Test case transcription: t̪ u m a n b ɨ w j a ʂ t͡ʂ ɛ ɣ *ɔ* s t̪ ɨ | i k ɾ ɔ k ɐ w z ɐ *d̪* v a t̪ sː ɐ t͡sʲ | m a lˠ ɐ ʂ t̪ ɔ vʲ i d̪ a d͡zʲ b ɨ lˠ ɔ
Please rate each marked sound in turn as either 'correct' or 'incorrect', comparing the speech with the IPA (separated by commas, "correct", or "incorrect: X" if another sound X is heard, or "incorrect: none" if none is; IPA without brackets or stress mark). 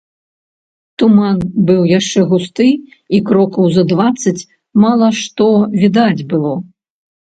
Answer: incorrect: u, correct